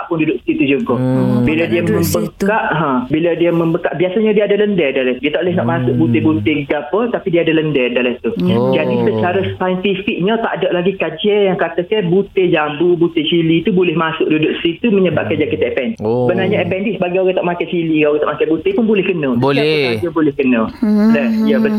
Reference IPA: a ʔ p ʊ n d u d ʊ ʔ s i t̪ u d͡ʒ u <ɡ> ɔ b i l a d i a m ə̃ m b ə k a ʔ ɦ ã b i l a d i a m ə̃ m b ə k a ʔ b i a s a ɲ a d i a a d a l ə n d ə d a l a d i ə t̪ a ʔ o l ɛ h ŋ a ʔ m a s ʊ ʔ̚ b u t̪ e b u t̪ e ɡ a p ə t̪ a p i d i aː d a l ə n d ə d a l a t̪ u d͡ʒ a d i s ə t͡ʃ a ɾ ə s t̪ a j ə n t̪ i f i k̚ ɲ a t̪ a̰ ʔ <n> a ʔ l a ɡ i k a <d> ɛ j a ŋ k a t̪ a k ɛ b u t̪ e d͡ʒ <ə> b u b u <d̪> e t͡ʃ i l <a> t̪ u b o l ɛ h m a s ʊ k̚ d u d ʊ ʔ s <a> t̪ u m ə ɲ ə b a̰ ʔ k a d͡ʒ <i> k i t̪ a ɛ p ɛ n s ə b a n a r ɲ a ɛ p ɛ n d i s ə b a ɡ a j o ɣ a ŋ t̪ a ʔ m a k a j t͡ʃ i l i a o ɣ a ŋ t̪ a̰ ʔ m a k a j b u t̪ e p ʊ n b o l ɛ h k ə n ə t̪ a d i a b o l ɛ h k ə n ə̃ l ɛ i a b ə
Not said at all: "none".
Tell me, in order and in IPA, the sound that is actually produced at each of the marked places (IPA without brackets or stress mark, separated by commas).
ɡ, d, d͡ʒ, a, t̪, i, i, a